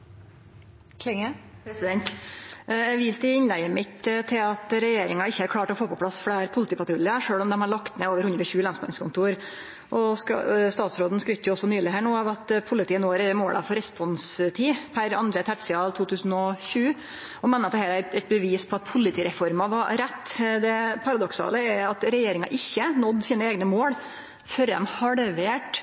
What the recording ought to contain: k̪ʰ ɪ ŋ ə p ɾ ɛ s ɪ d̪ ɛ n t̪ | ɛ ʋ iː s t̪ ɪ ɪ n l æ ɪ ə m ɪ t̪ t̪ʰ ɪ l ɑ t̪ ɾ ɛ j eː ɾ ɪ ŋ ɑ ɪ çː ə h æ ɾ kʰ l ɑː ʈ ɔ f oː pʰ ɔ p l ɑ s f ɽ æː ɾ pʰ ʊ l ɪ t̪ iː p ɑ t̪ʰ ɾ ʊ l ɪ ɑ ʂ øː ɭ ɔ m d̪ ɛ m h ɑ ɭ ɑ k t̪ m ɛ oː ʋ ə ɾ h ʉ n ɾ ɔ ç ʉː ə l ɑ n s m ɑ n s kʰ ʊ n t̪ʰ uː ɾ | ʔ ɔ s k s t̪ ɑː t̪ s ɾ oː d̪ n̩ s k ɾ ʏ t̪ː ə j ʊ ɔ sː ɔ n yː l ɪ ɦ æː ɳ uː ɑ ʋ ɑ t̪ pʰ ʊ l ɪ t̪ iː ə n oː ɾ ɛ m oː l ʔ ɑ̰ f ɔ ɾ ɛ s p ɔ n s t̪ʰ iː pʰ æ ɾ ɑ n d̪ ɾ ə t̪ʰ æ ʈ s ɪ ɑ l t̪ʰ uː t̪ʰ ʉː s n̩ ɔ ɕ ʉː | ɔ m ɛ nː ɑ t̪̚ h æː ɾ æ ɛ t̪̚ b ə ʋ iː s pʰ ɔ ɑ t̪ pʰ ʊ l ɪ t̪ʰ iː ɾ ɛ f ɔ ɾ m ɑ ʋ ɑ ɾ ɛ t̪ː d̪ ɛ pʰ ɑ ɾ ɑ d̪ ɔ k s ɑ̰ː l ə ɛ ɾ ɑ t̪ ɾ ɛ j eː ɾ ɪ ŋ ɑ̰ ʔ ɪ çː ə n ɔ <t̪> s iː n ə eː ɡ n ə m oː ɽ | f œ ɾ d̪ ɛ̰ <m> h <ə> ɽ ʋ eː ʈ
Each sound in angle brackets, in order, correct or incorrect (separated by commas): incorrect, correct, incorrect